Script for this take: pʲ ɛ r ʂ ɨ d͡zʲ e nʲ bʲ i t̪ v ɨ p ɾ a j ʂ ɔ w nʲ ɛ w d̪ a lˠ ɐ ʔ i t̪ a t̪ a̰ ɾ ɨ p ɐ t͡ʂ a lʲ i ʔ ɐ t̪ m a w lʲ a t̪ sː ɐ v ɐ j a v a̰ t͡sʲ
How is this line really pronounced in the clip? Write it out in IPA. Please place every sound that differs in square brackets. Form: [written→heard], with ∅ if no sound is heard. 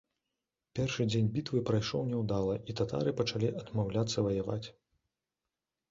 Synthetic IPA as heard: pʲ ɛ r ʂ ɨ d͡zʲ e nʲ bʲ i t̪ v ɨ p ɾ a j ʂ ɔ w nʲ ɛ w d̪ a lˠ ɐ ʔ i t̪ a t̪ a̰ ɾ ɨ p ɐ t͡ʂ a lʲ i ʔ ɐ [t̪→d̪] m a w lʲ a t̪ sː ɐ v ɐ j a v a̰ t͡sʲ